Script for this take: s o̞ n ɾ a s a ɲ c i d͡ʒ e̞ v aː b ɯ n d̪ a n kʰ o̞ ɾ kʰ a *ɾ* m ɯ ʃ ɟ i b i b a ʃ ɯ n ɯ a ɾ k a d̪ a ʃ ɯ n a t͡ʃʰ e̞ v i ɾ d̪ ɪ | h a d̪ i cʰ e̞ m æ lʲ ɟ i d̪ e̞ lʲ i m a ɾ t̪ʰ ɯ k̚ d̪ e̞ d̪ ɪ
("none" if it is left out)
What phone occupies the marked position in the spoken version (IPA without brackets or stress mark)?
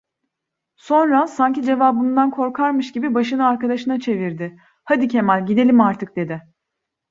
ɾ